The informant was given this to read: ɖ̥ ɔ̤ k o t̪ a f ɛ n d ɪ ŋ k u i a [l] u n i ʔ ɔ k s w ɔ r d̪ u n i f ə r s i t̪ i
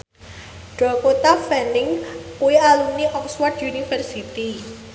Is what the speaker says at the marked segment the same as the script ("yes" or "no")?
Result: yes